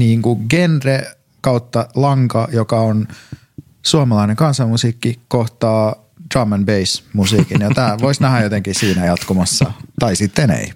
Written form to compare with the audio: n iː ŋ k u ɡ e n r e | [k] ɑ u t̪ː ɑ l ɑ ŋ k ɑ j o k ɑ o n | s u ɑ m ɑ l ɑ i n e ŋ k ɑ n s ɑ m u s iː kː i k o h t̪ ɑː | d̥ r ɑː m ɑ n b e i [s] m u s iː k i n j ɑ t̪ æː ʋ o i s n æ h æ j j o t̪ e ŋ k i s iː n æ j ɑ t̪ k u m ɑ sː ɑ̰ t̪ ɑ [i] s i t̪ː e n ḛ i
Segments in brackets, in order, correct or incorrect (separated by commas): correct, correct, correct